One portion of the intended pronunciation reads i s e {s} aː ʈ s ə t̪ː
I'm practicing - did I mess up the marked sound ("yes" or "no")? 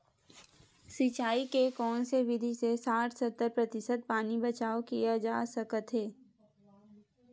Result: no